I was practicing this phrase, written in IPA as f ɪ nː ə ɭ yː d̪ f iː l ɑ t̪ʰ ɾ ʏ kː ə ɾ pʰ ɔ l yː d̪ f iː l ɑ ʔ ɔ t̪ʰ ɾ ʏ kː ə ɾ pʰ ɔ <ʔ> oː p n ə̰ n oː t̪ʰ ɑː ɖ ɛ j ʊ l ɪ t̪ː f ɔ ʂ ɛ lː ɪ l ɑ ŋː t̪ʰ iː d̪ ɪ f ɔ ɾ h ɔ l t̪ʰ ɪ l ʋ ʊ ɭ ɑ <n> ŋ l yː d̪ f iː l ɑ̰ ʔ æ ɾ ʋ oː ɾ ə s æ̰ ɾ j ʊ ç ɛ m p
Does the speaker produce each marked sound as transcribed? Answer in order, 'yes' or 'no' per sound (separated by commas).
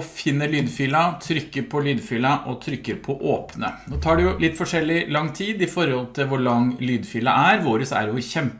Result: yes, no